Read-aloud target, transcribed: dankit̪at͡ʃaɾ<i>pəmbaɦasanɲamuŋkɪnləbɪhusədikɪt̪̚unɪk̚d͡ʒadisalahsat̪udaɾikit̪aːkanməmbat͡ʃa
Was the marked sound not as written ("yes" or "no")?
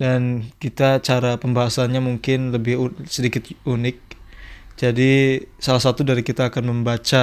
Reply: yes